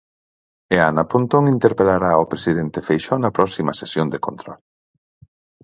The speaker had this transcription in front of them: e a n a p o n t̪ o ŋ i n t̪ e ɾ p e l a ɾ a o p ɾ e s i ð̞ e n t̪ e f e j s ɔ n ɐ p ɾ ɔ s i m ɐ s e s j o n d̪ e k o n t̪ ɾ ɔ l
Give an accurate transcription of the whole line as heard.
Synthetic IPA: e a n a p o n t̪ o ŋ i n t̪ e ɾ p e l a ɾ a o p ɾ e s i ð̞ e n t̪ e f e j ʃ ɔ n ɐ p ɾ ɔ s i m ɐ s e s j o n d̪ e k o n t̪ ɾ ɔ l